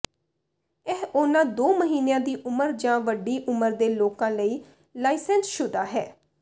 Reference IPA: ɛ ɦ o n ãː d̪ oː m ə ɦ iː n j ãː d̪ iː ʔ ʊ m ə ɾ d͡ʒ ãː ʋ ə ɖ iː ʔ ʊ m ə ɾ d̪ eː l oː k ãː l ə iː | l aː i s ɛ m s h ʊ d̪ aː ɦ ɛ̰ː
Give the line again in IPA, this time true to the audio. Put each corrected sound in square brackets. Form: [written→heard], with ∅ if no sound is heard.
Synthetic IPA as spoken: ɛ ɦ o n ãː d̪ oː m ə ɦ iː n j ãː d̪ iː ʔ ʊ m ə ɾ d͡ʒ ãː ʋ ə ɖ iː ʔ ʊ m ə ɾ d̪ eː l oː k ãː l ə iː | l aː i s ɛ [m→n] s [h→ʃ] ʊ d̪ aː ɦ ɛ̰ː